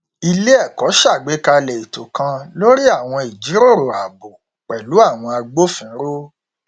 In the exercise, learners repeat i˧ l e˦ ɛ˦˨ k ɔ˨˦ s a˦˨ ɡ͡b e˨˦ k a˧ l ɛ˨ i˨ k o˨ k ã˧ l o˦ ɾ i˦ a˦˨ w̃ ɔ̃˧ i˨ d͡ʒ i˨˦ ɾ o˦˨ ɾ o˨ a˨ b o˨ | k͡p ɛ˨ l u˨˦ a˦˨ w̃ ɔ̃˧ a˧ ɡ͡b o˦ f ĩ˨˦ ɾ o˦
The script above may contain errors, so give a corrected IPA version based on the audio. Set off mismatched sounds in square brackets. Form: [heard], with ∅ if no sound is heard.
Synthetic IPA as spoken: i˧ l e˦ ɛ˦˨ k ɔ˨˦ [ʃ] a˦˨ ɡ͡b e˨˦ k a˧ l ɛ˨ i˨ [t] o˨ k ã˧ l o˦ ɾ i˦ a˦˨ w̃ ɔ̃˧ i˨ d͡ʒ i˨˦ ɾ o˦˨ ɾ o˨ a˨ b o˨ | k͡p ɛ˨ l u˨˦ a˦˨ w̃ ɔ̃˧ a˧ ɡ͡b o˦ f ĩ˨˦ ɾ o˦